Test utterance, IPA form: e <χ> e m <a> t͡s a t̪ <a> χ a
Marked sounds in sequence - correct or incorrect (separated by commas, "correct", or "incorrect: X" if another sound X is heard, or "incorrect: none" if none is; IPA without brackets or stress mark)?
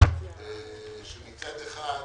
incorrect: ʃ, incorrect: i, incorrect: e